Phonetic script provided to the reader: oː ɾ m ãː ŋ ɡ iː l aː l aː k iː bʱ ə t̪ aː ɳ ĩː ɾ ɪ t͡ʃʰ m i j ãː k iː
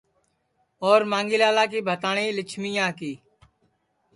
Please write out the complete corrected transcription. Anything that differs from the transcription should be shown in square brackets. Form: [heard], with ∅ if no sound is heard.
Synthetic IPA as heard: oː ɾ m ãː ŋ ɡ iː l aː l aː k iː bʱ ə t̪ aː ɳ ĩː [l] ɪ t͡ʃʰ m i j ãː k iː